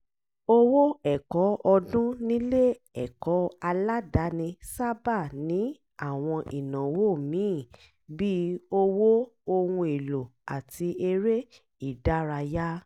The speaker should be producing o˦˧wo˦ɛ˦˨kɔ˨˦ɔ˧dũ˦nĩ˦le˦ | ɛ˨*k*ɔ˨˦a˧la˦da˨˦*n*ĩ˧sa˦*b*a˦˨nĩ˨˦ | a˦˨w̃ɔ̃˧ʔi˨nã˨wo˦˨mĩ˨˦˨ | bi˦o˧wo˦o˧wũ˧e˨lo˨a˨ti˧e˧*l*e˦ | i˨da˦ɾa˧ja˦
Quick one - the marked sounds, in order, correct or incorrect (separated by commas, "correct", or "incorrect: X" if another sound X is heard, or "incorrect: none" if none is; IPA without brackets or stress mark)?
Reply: correct, correct, correct, incorrect: ɾ